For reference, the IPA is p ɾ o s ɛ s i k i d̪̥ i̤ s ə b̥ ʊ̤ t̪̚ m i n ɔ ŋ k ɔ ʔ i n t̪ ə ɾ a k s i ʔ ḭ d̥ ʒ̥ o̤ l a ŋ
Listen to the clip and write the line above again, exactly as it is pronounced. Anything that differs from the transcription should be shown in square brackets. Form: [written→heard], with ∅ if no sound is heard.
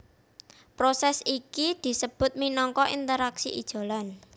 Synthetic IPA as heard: p ɾ o s ɛ s i k i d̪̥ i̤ s ə b̥ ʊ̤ t̪̚ m i n ɔ ŋ k ɔ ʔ i n t̪ ə ɾ a k s i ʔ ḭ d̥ ʒ̥ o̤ l a [ŋ→n]